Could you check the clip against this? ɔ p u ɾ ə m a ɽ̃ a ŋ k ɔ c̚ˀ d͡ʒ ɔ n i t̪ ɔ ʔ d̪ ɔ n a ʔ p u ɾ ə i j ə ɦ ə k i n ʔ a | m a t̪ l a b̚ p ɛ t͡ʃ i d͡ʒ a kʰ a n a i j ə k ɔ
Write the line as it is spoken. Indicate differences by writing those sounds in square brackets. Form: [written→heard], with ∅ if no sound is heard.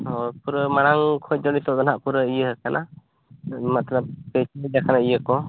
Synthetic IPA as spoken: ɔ p u ɾ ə m a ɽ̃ a ŋ [k→kʰ] ɔ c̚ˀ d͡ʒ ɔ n i t̪ ɔ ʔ d̪ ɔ n a ʔ p u ɾ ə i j ə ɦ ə k [i→a] n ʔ a | m a t̪ l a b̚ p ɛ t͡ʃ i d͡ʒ a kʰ a n a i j ə k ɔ